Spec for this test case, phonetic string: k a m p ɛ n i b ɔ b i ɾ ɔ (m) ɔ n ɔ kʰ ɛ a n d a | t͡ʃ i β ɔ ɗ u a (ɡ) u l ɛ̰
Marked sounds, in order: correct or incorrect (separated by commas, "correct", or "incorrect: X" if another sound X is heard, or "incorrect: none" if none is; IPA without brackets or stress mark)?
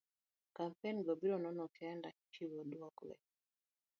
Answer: incorrect: n, incorrect: k